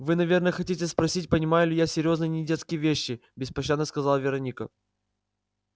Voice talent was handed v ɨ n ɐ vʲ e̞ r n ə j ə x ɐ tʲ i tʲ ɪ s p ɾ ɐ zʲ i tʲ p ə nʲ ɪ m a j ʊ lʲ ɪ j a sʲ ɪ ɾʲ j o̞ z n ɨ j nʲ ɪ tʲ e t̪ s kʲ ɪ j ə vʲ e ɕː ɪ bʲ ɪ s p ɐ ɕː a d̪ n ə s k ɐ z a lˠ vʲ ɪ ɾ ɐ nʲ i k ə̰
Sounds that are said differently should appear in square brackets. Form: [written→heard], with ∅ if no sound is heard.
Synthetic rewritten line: v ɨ n ɐ vʲ e̞ r n ə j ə x ɐ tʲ i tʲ ɪ s p ɾ ɐ [zʲ→sʲ] i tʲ p ə nʲ ɪ m a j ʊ lʲ ɪ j a sʲ ɪ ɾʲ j o̞ z n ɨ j nʲ ɪ [tʲ→dʲ] e t̪ s kʲ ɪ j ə vʲ e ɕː ɪ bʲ ɪ s p ɐ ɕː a d̪ n ə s k ɐ z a lˠ vʲ ɪ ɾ ɐ nʲ i k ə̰